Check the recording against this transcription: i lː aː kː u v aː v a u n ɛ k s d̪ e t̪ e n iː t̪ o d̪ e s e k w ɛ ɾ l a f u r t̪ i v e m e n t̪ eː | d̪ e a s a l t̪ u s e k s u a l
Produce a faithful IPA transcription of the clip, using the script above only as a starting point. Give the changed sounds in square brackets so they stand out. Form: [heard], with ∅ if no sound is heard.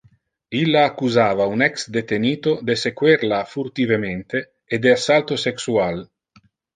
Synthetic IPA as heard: i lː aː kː u [z] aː v a u n ɛ k s d̪ e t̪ e n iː t̪ o d̪ e s e k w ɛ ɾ l a f u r t̪ i v e m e n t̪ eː | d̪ e a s a l t̪ [o] s e k s u a l